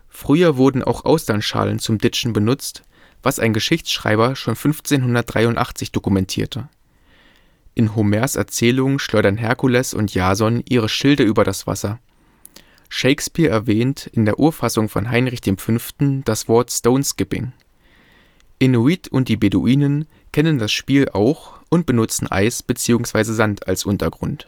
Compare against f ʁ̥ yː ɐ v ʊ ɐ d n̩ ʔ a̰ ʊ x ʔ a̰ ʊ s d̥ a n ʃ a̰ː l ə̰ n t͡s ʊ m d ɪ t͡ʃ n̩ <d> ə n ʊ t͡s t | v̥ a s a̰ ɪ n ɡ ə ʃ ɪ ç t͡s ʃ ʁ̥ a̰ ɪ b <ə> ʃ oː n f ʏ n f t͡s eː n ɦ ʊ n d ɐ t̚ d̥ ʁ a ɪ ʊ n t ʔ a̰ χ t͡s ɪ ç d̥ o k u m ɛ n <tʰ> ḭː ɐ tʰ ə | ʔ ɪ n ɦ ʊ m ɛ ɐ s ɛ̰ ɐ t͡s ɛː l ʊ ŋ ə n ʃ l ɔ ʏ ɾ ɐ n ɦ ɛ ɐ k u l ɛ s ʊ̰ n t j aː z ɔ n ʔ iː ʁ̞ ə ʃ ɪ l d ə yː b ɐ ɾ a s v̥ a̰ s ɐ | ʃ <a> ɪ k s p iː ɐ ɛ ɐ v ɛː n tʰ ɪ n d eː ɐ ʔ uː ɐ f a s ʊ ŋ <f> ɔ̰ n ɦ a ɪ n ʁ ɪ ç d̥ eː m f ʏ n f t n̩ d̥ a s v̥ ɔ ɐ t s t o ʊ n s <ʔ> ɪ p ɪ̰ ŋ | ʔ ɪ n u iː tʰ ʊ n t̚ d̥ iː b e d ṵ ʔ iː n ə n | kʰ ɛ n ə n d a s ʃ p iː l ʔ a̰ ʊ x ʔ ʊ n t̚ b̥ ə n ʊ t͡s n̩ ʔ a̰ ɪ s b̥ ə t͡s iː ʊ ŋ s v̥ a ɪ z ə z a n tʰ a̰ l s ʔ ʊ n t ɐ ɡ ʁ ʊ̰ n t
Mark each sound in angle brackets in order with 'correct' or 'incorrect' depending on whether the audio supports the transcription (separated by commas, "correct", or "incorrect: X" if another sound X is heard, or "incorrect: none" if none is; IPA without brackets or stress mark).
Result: incorrect: b, incorrect: ɐ, correct, incorrect: e, correct, incorrect: k